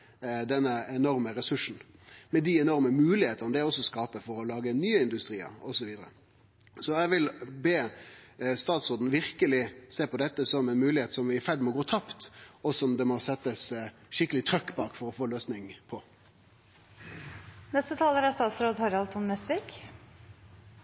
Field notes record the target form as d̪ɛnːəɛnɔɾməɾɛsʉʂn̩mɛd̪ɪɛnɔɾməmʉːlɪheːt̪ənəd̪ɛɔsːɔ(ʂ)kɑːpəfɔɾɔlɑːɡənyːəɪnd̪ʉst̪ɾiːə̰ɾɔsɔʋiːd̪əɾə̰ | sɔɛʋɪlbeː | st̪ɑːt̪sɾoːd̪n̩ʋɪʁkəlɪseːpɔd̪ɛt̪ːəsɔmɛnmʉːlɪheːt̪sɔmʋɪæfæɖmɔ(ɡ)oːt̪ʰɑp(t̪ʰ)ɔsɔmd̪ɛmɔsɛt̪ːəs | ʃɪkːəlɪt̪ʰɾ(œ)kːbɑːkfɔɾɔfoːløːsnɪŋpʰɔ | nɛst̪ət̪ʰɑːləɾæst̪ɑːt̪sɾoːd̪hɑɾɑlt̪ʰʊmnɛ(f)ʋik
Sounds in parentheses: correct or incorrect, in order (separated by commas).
incorrect, correct, incorrect, correct, incorrect